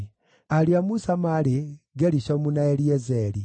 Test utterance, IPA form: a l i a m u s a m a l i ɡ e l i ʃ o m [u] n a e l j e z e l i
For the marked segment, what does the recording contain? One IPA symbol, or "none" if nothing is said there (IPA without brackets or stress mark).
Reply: u